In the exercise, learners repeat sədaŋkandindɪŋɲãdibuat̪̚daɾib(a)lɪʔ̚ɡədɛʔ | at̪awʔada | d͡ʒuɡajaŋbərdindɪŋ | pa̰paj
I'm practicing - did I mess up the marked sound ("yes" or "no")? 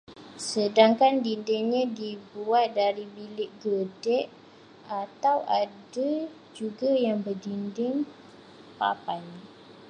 yes